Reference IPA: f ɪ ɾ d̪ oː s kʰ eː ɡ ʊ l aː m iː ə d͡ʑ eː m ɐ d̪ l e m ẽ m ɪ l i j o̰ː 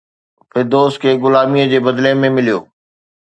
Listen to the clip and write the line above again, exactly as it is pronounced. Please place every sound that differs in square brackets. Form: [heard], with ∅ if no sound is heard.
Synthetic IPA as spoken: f ɪ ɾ d̪ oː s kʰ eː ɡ ʊ l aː m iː ə d͡ʑ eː [b] ɐ d̪ l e m ẽ m ɪ l i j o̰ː